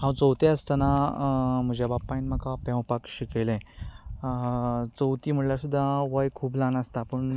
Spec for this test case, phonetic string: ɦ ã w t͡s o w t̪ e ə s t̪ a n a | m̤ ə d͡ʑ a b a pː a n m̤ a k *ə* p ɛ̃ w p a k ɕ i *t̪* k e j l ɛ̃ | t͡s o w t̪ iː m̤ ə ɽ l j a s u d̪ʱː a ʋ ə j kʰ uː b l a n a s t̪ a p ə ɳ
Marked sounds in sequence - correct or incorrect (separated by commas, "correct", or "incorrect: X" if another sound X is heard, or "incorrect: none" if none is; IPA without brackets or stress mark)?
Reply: incorrect: a, incorrect: none